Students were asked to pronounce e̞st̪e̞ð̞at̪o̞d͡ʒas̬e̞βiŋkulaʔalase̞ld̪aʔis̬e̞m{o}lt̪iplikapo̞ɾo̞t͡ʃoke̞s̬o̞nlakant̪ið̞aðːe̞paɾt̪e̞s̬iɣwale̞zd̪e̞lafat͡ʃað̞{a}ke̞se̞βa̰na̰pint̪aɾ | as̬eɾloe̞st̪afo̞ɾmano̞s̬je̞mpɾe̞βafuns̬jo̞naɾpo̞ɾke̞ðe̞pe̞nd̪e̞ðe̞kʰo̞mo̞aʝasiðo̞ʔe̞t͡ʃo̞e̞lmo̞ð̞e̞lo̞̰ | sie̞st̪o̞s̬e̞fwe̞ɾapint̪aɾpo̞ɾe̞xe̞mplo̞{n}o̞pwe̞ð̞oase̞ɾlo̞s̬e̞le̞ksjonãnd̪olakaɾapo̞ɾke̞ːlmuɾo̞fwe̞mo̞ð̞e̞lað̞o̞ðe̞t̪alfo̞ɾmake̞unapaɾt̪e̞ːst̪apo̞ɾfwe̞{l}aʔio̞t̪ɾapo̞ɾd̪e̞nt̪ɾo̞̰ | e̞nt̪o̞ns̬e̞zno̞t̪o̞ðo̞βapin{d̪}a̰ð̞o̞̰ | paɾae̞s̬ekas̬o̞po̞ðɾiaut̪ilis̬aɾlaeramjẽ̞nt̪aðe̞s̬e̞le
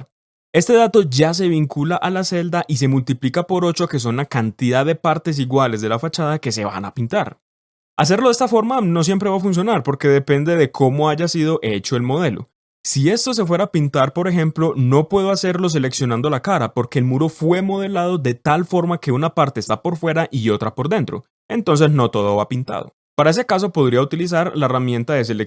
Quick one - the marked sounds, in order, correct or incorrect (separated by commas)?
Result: incorrect, correct, correct, incorrect, incorrect